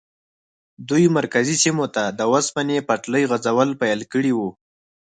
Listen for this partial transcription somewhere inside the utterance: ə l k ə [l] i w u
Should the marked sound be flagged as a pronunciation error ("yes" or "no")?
yes